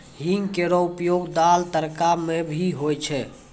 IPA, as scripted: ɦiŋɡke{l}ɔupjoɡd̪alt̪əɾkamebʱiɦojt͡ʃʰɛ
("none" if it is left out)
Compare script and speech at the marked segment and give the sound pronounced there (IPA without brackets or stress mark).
ɾ